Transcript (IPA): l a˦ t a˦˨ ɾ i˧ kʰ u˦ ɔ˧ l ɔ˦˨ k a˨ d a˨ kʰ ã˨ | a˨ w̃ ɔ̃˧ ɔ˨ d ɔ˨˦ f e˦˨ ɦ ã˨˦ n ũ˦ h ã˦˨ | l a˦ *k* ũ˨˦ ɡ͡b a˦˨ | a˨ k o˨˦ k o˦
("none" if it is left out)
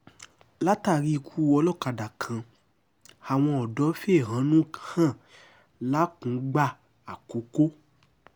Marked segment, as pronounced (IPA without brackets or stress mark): k